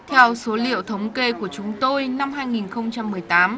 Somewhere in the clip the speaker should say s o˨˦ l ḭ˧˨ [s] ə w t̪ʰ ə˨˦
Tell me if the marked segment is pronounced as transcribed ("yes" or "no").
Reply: no